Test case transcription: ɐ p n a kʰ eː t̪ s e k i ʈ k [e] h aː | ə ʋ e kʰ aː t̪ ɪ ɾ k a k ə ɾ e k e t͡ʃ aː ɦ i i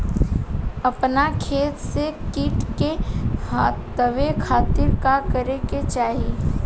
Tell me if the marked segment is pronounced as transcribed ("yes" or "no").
yes